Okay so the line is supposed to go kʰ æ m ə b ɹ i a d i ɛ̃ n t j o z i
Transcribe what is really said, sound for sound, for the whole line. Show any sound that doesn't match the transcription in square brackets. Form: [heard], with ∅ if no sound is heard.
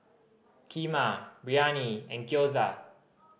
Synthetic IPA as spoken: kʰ [i] m [a] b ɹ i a [n] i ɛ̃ n [k] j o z [a]